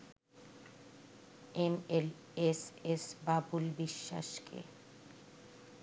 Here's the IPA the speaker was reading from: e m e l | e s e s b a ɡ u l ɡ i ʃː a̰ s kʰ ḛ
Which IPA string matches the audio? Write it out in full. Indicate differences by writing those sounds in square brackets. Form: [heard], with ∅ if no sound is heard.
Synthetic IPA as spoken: e m e l | e s e s b a [b] u l [b] i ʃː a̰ [ʃ] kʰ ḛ